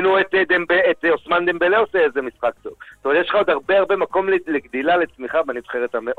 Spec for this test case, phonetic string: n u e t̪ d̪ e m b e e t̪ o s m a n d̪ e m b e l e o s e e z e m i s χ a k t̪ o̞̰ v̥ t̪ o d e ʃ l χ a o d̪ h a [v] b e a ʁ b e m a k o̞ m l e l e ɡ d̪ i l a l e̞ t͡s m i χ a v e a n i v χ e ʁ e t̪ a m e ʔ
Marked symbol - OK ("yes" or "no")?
no